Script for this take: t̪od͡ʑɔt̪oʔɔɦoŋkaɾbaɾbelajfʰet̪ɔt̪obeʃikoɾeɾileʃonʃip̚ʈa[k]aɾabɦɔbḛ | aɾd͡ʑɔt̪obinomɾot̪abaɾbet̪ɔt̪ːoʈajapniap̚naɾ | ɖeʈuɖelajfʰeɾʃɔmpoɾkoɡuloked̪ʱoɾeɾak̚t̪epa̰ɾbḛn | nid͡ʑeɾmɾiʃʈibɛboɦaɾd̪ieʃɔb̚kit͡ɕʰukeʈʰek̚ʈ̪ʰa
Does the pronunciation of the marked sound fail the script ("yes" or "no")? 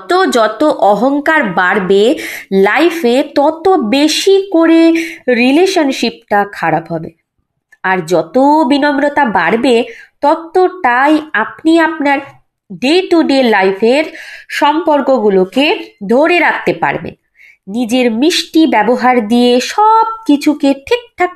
yes